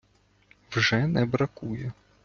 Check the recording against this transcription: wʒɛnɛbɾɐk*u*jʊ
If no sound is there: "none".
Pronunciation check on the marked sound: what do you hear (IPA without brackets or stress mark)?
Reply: u